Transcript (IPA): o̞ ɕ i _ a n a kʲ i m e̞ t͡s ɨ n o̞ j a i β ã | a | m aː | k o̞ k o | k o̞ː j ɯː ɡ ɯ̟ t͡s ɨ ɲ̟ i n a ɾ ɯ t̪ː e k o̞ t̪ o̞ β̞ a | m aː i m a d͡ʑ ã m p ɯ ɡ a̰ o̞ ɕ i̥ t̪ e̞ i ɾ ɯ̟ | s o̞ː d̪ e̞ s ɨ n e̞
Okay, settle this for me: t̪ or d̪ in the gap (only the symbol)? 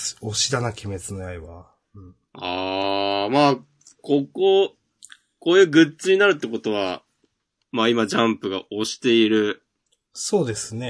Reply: d̪